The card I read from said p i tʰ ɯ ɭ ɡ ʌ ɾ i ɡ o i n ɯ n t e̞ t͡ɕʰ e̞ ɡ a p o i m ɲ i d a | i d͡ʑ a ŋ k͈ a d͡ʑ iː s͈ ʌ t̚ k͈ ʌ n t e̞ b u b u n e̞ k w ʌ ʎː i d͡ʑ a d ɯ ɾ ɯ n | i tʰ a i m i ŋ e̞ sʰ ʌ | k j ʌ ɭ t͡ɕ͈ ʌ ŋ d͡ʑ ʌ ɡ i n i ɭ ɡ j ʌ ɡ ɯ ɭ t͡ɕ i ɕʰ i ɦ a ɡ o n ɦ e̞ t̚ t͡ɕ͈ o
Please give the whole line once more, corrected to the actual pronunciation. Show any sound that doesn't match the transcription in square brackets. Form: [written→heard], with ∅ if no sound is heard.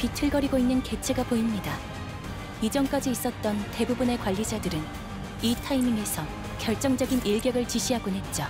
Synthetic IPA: p i tʰ ɯ ɭ ɡ ʌ ɾ i ɡ o i [n→nː] ɯ n [t→k] e̞ t͡ɕʰ e̞ ɡ a p o i m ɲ i d a | i d͡ʑ [a→ʌ] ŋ k͈ a d͡ʑ iː s͈ ʌ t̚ [k͈→t͈] ʌ n t e̞ b u b u n e̞ k w [ʌ→a] ʎː i d͡ʑ a d ɯ ɾ ɯ n | i tʰ a i m i ŋ e̞ sʰ ʌ | k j ʌ ɭ t͡ɕ͈ ʌ ŋ d͡ʑ ʌ ɡ i n i ɭ ɡ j ʌ ɡ ɯ ɭ t͡ɕ i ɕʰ i ɦ a ɡ o n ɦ e̞ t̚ t͡ɕ͈ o